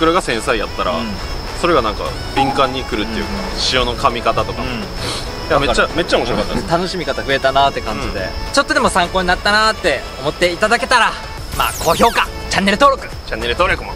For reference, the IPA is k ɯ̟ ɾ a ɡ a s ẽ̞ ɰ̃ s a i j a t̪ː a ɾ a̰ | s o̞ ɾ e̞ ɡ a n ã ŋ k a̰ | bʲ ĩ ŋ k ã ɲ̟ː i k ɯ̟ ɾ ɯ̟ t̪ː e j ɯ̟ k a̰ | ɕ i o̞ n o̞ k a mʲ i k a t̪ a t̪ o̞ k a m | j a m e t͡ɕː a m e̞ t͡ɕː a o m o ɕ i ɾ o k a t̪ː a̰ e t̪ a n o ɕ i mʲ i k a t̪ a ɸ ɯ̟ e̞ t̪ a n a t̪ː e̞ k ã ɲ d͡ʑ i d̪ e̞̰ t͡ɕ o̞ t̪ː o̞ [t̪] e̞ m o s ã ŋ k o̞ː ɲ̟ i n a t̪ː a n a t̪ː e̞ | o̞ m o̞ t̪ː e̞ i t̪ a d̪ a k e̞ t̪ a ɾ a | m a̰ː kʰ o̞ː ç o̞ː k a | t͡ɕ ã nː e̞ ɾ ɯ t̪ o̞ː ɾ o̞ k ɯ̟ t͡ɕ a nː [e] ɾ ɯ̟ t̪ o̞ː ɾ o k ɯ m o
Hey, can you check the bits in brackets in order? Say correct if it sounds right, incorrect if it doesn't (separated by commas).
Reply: incorrect, correct